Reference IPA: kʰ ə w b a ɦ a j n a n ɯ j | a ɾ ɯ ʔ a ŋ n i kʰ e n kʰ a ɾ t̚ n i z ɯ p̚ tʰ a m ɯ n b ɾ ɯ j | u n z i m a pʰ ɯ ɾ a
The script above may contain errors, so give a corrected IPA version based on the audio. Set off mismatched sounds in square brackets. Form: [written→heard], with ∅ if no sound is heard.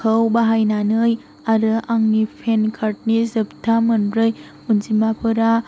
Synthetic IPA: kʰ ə w b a ɦ a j n a n ɯ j | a ɾ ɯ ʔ a ŋ n i [kʰ→pʰ] e n kʰ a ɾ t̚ n i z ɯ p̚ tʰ a m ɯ n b ɾ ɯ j | u n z i m a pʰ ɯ ɾ a